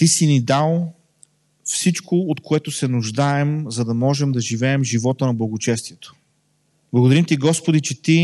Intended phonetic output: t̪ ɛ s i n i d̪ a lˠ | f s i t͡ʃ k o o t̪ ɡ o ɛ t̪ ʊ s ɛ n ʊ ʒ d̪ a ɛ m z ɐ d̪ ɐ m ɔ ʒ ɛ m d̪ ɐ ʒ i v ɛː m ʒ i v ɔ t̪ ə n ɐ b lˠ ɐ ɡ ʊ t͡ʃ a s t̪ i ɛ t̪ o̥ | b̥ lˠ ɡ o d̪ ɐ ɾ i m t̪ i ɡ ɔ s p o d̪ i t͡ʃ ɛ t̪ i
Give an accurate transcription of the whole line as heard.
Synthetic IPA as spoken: t̪ i s i n i d̪ a lˠ | f s i t͡ʃ k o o t̪ k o ɛ t̪ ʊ s ɛ n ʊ ʒ d̪ a ɛ m z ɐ d̪ ɐ m ɔ ʒ ɛ m d̪ ɐ ʒ i v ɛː m ʒ i v ɔ t̪ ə n ɐ b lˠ ɐ ɡ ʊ t͡ʃ ɛ s t̪ i ɛ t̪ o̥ | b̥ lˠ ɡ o d̪ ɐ ɾ i m t̪ i ɡ ɔ s p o d̪ i t͡ʃ ɛ t̪ i